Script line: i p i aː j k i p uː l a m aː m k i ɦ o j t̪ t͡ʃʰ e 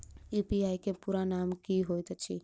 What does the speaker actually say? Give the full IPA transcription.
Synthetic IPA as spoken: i p i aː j k e p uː ɾ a n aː m k i ɦ o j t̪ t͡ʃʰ i

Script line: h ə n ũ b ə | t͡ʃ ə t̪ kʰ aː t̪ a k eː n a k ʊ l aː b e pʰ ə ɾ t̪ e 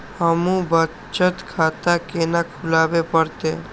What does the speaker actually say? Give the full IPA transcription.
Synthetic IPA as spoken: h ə m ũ b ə | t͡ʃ ə t̪ kʰ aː t̪ a k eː n a kʰ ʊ l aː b e p ə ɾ t̪ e

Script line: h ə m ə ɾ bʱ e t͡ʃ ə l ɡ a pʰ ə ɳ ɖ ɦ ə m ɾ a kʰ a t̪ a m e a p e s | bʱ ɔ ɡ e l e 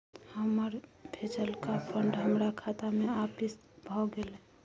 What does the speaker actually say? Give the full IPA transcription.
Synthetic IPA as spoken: h ə m ə ɾ bʱ e t͡ʃ ə l k a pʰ ə ɳ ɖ ɦ ə m ɾ a kʰ a t̪ a m e a p i s | bʱ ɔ ɡ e l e

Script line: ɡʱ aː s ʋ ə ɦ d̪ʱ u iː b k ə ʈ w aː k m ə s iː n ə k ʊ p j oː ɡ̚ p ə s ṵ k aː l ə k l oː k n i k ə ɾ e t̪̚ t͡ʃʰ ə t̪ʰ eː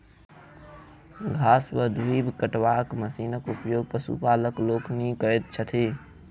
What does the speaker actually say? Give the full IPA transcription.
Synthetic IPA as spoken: ɡʱ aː s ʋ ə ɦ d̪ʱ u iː b k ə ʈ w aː k m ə s iː n ə k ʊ p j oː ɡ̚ p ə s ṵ p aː l ə k l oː k n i k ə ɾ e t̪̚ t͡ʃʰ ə t̪ʰ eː

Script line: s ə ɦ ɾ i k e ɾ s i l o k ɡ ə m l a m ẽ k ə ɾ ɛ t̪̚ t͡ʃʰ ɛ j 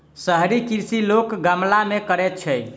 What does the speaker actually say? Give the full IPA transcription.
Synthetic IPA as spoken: s ə ɦ ɾ i k i ɾ s i l o k ɡ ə m l a m e k ə ɾ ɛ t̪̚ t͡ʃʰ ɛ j

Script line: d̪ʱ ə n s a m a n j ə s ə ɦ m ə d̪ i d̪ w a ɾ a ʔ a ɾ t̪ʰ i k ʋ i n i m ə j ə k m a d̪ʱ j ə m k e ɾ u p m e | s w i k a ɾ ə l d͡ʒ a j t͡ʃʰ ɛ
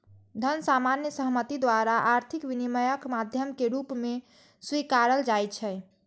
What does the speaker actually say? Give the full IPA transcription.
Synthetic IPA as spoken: d̪ʱ ə n s a m a n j ə s ə ɦ m ə t̪ i d̪ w a ɾ a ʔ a ɾ t̪ʰ i k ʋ i n i m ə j ə k m a d̪ʱ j ə m k e ɾ u p m e | s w i k a ɾ ə l d͡ʒ a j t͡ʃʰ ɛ

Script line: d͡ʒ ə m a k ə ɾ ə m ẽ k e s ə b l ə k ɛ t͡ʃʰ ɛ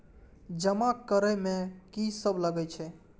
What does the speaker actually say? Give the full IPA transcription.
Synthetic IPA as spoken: d͡ʒ ə m a k ə ɾ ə m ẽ k i s ə b l ə ɡ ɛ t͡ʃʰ ɛ

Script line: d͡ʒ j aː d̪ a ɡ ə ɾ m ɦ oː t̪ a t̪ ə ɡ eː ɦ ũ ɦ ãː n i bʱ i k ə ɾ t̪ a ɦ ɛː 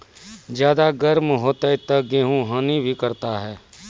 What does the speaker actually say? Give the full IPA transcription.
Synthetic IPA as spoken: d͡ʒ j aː d̪ a ɡ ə ɾ m ɦ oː t̪ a t̪ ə ɡ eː ɦ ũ ɦ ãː n i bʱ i k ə ɾ t̪ a ɦ ɛː

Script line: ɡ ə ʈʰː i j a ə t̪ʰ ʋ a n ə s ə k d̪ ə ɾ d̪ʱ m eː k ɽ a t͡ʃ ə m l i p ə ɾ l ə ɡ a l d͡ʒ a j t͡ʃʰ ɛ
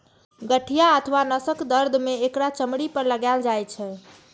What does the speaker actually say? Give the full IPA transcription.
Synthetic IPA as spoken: ɡ ə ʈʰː i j a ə t̪ʰ ʋ a n ə s ə k d̪ ə ɾ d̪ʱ m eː k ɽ a t͡ʃ ə m ɽ i p ə ɾ l ə ɡ a l d͡ʒ a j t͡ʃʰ ɛ

